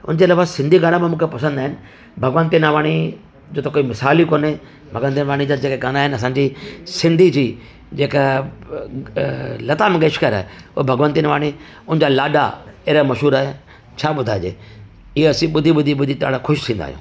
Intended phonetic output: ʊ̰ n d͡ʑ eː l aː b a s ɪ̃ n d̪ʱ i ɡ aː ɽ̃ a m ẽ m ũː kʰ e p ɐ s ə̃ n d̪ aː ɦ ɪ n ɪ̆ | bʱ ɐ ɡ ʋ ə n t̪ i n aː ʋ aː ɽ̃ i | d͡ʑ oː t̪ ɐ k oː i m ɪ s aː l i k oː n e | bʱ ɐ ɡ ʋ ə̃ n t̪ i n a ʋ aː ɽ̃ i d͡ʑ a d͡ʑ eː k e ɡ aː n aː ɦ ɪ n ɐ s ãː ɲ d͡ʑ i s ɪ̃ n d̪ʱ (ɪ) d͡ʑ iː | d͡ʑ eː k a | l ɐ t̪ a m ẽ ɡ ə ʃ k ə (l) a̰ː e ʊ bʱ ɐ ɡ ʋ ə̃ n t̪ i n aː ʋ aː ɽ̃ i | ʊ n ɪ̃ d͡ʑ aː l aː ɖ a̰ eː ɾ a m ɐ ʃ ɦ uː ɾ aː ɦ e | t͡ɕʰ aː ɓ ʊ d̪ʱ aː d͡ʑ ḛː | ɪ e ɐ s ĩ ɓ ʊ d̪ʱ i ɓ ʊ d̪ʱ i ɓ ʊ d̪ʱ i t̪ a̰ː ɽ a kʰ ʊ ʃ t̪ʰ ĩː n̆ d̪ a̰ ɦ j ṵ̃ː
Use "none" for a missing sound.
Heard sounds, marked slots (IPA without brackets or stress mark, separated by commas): i, ɾ